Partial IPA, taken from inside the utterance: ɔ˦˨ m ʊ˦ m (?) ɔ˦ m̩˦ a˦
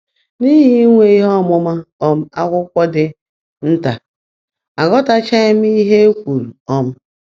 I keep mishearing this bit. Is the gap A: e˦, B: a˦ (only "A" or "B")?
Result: B